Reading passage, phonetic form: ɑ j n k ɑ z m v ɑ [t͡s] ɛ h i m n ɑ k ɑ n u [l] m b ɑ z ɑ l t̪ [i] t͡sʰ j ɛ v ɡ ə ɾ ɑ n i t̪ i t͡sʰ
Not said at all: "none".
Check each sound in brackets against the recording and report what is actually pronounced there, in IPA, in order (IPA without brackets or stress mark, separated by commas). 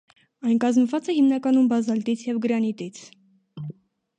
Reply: t͡s, none, i